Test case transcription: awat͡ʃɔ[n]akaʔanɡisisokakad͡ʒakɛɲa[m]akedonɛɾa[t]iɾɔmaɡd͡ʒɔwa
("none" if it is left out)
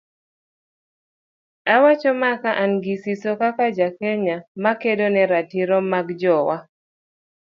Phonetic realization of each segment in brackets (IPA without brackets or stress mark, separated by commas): m, m, t